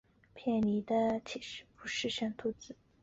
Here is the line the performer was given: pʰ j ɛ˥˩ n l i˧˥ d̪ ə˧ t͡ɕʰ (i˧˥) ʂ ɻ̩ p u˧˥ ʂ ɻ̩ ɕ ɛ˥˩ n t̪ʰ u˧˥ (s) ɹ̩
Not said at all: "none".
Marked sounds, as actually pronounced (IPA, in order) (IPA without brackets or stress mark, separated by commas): i˨˩, t͡s